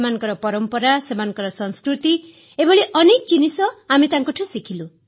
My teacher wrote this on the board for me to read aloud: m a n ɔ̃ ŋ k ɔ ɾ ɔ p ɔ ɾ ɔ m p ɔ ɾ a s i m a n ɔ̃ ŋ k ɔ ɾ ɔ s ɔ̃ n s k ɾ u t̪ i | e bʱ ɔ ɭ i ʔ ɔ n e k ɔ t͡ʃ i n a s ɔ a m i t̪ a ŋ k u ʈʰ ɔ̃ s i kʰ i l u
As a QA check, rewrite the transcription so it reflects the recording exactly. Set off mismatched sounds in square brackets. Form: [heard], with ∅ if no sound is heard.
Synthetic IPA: m a n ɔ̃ ŋ k ɔ ɾ ɔ p ɔ ɾ ɔ m p ɔ ɾ a s [e] m a n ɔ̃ ŋ k ɔ ɾ ɔ s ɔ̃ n s k ɾ u t̪ i | e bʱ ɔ ɭ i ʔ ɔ n e k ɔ t͡ʃ i n [i] s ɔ a m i t̪ a ŋ k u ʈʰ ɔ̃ s i kʰ i l u

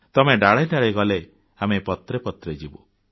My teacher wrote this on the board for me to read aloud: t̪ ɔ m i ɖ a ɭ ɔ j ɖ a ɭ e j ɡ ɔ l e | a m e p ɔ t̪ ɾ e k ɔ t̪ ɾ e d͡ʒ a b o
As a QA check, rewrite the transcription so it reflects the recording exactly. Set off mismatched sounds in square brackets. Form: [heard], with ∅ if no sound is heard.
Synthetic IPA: t̪ ɔ m [e] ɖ a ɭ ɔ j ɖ a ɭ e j ɡ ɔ l e | a m e p ɔ t̪ ɾ e [p] ɔ t̪ ɾ e d͡ʒ [i] b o

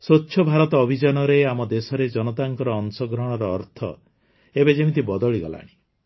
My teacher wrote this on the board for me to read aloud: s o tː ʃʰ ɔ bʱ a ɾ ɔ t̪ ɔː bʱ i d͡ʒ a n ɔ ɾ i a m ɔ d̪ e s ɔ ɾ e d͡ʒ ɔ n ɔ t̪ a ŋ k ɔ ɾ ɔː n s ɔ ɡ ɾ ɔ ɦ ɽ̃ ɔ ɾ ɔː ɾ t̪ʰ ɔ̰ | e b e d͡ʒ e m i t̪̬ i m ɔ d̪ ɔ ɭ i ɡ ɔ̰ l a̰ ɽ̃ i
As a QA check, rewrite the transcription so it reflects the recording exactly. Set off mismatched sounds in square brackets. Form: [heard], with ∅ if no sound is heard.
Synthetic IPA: s o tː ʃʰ ɔ bʱ a ɾ ɔ t̪ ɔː bʱ i d͡ʒ a n ɔ ɾ [e] a m ɔ d̪ e s ɔ ɾ e d͡ʒ ɔ n ɔ t̪ a ŋ k ɔ ɾ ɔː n s ɔ ɡ ɾ ɔ ɦ ɽ̃ ɔ ɾ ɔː ɾ t̪ʰ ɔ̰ | e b e d͡ʒ e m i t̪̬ i [b] ɔ d̪ ɔ ɭ i ɡ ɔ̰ l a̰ ɽ̃ i

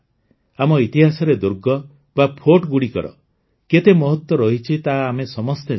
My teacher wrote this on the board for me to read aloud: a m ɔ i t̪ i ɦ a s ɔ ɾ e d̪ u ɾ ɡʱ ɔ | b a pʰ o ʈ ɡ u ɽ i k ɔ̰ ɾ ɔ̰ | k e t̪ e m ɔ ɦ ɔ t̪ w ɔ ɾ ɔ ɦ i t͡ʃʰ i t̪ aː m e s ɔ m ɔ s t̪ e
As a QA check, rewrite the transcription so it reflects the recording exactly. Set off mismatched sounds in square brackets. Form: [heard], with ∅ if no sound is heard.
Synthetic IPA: a m ɔ i t̪ i ɦ a s ɔ ɾ e d̪ u ɾ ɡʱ ɔ | b a pʰ o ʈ ɡ u ɽ i k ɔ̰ ɾ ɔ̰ | k e t̪ e m ɔ ɦ ɔ t̪ w ɔ ɾ ɔ ɦ i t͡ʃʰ i t̪ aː m e s ɔ m ɔ s t̪ e

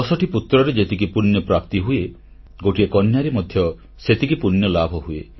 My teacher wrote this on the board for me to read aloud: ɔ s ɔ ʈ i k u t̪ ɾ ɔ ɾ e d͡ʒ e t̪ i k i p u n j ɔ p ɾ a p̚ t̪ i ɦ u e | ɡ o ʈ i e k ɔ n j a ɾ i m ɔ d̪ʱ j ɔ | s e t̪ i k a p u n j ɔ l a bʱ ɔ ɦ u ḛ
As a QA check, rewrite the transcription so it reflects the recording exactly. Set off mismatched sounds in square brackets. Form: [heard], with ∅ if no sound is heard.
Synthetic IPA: ɔ s ɔ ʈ i [p] u t̪ ɾ ɔ ɾ e d͡ʒ e t̪ i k i p u n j ɔ p ɾ a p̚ t̪ i ɦ u e | ɡ o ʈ i e k ɔ n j a ɾ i m ɔ d̪ʱ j ɔ | s e t̪ i k [i] p u n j ɔ l a bʱ ɔ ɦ u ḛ

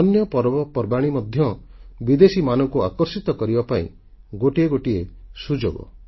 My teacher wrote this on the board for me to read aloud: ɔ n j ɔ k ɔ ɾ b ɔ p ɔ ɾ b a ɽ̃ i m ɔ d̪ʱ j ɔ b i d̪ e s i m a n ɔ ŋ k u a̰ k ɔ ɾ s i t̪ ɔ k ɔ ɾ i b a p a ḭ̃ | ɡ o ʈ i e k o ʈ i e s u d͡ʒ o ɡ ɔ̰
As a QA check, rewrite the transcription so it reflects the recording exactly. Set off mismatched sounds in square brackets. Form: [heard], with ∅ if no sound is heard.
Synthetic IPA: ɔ n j ɔ [p] ɔ ɾ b ɔ p ɔ ɾ b a ɽ̃ i m ɔ d̪ʱ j ɔ b i d̪ e s i m a n ɔ ŋ k u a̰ k ɔ ɾ s i t̪ ɔ k ɔ ɾ i b a p a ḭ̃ | ɡ o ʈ i e [ɡ] o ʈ i e s u d͡ʒ o ɡ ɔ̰

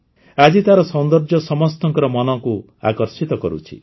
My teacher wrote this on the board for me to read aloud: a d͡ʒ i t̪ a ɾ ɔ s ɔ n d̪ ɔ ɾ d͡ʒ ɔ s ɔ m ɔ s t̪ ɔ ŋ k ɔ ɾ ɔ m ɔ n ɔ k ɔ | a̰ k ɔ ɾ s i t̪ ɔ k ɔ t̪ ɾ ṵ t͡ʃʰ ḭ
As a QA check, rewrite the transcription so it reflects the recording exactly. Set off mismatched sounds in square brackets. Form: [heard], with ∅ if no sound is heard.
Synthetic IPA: a d͡ʒ i t̪ a ɾ ɔ s ɔ n d̪ ɔ ɾ d͡ʒ ɔ s ɔ m ɔ s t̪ ɔ ŋ k ɔ ɾ ɔ m ɔ n ɔ k [u] | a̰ k ɔ ɾ s i t̪ ɔ k ɔ [∅] ɾ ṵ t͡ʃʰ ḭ

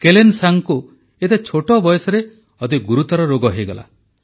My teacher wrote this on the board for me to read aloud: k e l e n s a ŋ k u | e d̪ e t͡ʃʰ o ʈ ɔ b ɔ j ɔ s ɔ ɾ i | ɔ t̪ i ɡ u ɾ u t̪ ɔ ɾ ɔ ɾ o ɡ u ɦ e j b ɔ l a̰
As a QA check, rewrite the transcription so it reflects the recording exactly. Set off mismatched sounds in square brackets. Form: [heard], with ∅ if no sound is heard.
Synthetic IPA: k e l e n s a ŋ k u | e [t̪] e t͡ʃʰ o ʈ ɔ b ɔ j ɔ s ɔ ɾ [e] | ɔ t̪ i ɡ u ɾ u t̪ ɔ ɾ ɔ ɾ o ɡ [ɔ] ɦ e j [ɡ] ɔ l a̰

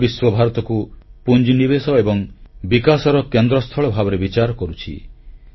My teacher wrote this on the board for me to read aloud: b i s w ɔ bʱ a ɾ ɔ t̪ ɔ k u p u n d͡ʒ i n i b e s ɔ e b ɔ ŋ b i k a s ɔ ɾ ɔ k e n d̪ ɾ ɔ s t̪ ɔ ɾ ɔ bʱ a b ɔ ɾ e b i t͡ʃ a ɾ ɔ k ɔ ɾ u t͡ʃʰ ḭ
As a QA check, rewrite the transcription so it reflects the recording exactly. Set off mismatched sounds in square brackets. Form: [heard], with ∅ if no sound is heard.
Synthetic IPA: b i s w ɔ bʱ a ɾ ɔ t̪ ɔ k u p u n d͡ʒ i n i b e s ɔ e b ɔ ŋ b i k a s ɔ ɾ ɔ k e n d̪ ɾ ɔ s [t̪ʰ] ɔ [ɭ] ɔ bʱ a b ɔ ɾ e b i t͡ʃ a ɾ ɔ k ɔ ɾ u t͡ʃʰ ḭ

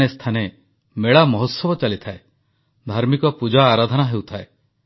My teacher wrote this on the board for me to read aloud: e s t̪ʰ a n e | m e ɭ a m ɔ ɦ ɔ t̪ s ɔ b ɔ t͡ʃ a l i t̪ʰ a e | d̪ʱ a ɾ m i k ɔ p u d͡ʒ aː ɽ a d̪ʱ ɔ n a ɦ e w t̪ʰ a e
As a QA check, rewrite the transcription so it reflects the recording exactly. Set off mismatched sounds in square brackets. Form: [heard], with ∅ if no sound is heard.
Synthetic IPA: e s t̪ʰ a n e | m e ɭ a m ɔ ɦ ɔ t̪ s ɔ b ɔ t͡ʃ a l i t̪ʰ a e | d̪ʱ a ɾ m i k ɔ p u d͡ʒ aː [ɾ] a d̪ʱ ɔ n a ɦ e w t̪ʰ a e

